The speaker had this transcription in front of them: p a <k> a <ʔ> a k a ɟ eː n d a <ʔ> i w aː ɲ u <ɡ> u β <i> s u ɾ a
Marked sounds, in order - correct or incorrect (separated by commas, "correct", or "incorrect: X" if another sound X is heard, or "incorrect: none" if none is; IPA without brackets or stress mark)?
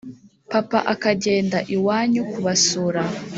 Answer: incorrect: p, correct, correct, incorrect: k, incorrect: a